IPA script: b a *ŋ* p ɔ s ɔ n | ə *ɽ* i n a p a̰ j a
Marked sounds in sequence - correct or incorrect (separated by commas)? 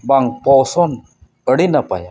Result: correct, correct